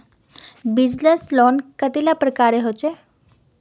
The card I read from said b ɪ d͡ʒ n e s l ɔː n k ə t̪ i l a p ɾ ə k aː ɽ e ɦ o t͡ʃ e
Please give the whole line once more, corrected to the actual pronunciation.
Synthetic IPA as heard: b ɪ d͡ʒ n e s l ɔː n k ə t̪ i l a p ɾ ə k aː ɾ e ɦ o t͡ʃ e